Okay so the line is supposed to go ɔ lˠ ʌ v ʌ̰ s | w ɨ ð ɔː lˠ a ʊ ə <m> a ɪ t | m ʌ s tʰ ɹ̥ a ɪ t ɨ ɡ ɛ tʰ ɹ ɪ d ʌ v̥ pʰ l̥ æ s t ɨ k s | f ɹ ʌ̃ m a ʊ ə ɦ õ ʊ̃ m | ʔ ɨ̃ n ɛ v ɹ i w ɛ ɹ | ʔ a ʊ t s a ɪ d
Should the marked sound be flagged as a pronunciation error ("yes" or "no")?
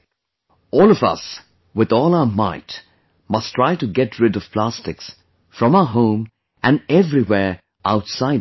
no